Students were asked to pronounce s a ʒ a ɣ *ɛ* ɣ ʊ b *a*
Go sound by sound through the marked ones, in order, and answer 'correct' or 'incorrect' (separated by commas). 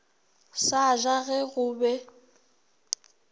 correct, incorrect